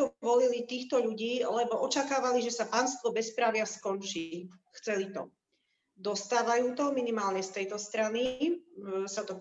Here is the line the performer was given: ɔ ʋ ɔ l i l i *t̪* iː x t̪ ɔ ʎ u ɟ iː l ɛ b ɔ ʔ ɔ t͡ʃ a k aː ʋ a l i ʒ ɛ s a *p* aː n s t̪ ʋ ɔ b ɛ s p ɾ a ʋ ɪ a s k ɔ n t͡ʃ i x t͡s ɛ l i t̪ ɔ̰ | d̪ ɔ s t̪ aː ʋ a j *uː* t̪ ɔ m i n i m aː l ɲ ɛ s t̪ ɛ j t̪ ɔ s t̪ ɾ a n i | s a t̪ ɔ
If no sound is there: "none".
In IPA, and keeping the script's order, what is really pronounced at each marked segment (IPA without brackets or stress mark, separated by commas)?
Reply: t̪, p, uː